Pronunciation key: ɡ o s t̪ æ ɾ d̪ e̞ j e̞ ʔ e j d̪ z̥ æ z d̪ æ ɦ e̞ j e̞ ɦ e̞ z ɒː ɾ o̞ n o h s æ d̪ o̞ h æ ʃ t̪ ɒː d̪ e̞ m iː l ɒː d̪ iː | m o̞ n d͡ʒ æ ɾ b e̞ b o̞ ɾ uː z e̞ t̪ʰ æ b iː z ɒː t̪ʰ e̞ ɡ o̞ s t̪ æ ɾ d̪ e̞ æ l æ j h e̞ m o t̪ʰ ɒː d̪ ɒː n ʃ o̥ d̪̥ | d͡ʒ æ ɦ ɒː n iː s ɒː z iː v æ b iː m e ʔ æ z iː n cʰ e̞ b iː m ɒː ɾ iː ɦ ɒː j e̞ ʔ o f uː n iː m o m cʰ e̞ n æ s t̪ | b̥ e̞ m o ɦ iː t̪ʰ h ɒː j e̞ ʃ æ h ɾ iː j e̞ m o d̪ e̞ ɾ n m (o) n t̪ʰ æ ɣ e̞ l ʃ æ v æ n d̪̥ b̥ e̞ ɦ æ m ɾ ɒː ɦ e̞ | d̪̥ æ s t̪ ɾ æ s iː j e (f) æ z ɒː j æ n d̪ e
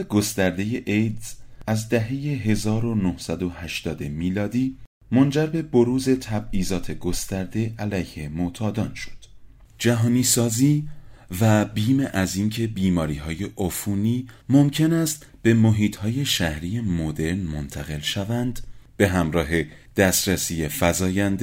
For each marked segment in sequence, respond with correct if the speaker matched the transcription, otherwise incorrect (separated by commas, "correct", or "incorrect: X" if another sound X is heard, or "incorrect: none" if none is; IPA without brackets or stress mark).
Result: correct, correct